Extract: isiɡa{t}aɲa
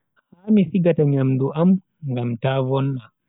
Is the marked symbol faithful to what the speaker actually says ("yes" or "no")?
yes